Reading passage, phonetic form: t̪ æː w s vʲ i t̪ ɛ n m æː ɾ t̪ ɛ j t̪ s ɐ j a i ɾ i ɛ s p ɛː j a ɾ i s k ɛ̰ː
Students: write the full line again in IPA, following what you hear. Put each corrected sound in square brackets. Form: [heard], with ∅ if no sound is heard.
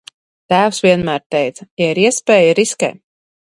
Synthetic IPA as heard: t̪ æː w s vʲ i [∅] ɛ n m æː ɾ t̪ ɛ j t̪ s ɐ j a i ɾ i ɛ s p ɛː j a ɾ i s k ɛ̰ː